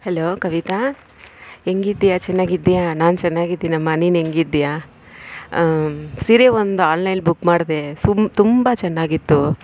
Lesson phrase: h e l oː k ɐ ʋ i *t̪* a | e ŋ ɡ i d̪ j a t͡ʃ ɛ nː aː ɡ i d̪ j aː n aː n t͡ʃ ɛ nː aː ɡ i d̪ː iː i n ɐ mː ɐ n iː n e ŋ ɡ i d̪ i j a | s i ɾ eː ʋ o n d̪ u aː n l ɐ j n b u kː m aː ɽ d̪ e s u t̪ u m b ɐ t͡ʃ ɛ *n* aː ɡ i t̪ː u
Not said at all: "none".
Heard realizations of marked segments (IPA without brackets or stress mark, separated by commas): t̪, nː